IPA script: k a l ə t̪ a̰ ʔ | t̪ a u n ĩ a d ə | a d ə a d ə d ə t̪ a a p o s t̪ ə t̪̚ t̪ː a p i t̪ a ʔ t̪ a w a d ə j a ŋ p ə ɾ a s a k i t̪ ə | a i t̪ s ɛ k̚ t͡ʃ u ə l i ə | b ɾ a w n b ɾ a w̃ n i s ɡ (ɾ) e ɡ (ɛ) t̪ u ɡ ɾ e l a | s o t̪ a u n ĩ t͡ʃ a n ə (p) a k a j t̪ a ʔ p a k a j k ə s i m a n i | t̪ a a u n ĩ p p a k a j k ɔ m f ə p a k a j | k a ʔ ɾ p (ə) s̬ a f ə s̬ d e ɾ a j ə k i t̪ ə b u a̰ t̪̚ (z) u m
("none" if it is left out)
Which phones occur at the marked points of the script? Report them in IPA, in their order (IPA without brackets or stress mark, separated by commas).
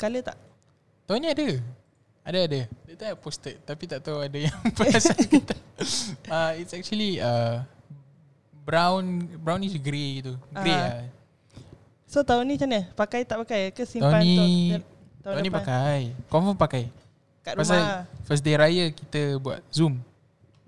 ɾ, i, p, a, z